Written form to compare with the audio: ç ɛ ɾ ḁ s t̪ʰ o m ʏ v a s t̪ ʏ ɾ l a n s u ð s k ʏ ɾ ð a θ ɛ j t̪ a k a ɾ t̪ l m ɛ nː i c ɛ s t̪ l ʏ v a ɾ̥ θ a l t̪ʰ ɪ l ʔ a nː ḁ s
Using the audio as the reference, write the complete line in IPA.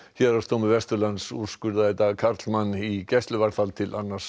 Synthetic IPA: ç ɛ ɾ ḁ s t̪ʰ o m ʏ v ɛ s t̪ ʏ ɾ l a n s u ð s k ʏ ɾ ð a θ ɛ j t̪ a kʰ a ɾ t̪ l m a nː i c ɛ s t̪ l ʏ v a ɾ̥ θ a l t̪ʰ ɪ l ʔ a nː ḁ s